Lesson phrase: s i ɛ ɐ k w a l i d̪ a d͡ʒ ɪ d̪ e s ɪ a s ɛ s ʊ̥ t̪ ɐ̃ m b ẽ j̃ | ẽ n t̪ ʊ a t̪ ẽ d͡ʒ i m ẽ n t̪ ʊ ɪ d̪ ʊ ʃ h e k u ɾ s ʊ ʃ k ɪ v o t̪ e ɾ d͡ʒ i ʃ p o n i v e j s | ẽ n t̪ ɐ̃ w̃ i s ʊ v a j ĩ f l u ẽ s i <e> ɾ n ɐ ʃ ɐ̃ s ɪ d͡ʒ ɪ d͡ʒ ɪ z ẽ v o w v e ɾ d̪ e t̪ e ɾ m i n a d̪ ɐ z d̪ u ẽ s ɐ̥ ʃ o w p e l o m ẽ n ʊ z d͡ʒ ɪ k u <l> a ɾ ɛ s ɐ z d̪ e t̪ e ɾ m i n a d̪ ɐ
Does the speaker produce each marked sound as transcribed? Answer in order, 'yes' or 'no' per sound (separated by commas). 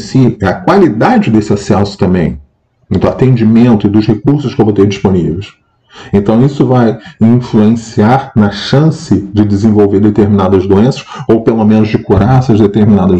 no, no